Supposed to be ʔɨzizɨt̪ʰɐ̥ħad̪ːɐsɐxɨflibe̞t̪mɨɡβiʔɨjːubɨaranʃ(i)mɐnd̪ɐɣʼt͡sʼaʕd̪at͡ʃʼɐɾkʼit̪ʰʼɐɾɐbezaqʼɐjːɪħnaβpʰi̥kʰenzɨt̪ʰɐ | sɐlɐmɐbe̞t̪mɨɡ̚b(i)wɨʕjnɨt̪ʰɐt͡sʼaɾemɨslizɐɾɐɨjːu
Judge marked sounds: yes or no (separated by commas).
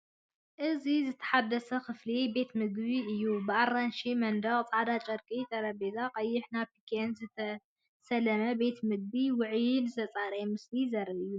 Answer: yes, yes